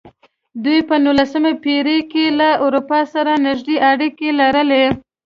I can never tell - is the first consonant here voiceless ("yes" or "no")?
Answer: no